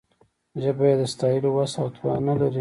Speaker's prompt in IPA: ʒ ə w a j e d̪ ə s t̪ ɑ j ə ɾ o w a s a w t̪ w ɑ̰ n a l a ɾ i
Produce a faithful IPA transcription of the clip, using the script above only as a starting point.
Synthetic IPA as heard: ʒ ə b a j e d̪ ə s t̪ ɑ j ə l o w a s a w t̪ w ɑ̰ n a l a ɾ i